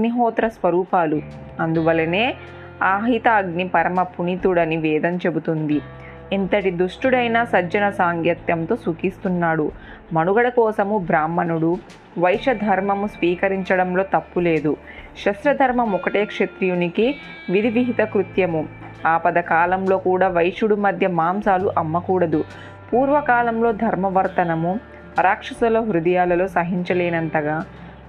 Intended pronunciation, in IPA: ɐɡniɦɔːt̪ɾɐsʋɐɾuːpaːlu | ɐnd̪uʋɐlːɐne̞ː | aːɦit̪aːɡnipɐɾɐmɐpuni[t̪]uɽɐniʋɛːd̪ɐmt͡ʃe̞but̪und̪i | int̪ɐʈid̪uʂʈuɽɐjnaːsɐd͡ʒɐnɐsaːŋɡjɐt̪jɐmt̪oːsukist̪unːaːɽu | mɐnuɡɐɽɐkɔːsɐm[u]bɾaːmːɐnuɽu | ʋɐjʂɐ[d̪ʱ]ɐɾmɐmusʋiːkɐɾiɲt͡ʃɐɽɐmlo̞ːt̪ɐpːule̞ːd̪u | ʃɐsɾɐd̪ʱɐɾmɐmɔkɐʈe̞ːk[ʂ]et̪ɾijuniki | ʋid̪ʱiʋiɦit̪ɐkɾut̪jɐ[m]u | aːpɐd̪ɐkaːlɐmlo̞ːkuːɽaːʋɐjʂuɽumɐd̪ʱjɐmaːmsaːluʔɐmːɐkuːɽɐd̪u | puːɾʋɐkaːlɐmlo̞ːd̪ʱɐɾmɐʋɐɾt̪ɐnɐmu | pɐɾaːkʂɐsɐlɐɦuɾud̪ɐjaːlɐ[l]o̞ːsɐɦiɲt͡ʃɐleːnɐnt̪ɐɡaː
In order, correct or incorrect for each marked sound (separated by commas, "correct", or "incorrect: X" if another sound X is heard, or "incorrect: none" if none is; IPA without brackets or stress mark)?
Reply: correct, correct, correct, correct, correct, correct